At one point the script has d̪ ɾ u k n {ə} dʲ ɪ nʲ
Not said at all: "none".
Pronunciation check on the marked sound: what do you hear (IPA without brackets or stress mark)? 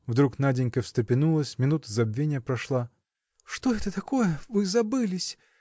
a